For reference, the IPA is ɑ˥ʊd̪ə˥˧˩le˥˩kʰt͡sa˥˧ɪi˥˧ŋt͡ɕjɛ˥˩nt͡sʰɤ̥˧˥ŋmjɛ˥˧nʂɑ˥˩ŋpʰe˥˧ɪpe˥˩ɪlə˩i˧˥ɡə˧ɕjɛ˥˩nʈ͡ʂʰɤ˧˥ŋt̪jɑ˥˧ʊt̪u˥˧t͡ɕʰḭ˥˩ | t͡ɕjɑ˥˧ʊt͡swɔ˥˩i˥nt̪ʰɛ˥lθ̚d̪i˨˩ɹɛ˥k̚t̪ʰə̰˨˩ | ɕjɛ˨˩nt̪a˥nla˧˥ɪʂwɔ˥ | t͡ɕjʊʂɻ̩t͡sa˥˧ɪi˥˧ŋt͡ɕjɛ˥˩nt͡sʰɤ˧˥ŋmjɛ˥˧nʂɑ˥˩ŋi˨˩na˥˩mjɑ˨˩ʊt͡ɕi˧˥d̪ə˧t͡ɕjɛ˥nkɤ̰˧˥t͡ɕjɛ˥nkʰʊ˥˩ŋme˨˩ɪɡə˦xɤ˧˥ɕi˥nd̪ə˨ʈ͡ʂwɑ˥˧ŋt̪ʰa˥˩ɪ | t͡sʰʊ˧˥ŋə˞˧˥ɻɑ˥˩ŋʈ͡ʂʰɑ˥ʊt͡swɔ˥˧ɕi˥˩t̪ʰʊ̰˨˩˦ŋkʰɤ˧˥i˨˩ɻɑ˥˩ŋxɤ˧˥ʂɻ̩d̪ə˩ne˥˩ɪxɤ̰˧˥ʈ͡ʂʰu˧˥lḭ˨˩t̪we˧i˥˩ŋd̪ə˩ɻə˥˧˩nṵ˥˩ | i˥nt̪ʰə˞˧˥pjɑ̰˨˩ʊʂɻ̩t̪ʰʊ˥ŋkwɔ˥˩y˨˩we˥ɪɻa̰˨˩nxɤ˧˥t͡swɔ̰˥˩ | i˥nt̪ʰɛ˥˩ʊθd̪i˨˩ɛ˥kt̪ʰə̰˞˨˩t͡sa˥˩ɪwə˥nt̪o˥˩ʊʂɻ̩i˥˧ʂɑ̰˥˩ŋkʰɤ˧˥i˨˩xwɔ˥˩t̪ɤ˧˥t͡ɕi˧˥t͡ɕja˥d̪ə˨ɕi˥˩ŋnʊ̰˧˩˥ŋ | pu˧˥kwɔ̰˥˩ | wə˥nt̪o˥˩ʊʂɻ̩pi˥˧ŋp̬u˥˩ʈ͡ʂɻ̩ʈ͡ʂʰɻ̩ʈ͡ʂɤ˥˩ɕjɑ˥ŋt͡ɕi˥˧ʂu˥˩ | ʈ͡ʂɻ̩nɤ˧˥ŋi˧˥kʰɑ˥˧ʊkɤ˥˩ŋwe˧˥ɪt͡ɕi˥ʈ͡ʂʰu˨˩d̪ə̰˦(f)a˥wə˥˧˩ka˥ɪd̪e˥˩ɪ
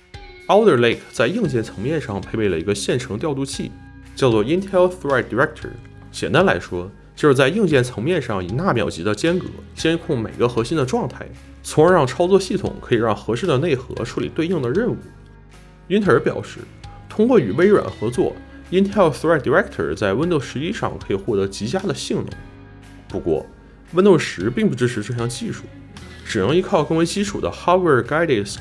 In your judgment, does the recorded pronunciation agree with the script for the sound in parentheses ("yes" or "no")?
no